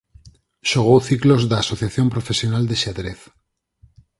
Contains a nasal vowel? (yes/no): no